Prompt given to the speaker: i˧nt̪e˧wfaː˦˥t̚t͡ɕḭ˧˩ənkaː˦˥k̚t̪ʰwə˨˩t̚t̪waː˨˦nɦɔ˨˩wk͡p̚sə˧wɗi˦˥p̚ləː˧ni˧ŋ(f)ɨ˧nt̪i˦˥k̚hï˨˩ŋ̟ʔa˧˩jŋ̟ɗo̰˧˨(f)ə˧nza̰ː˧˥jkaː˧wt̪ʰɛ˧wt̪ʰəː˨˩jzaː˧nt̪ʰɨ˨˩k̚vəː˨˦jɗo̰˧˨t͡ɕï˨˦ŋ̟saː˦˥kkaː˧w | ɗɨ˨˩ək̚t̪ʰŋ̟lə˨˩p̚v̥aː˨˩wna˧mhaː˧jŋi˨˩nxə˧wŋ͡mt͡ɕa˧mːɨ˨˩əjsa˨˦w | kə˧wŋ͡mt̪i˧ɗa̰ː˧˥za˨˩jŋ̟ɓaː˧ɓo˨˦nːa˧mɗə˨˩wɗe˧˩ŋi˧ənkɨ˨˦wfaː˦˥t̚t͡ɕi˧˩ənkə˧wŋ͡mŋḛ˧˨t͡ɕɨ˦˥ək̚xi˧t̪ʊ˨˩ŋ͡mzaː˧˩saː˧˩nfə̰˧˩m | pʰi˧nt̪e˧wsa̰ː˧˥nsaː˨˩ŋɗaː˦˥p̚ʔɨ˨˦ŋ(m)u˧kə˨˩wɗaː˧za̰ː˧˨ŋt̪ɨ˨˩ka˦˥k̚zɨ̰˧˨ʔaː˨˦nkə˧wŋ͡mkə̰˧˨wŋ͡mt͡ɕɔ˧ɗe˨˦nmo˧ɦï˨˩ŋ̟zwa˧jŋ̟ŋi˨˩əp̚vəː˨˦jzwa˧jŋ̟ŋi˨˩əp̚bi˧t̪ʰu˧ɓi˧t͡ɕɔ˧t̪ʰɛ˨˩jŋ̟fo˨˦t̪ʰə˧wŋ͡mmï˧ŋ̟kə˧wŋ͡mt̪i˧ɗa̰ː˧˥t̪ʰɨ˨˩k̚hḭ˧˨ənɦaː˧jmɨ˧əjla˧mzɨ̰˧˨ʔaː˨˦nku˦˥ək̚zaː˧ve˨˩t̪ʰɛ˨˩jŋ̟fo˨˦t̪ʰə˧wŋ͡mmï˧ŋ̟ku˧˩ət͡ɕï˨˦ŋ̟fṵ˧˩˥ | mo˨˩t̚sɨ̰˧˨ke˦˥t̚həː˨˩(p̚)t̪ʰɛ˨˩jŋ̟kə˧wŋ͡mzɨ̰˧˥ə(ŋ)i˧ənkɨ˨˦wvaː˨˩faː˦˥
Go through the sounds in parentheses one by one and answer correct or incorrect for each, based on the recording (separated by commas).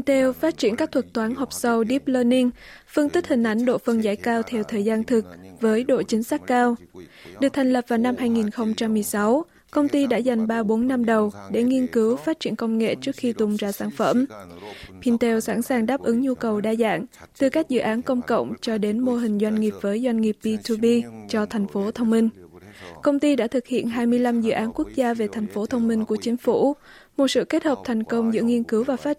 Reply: correct, correct, incorrect, correct, correct